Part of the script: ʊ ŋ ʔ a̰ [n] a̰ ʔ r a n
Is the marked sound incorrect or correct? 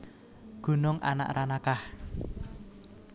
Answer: correct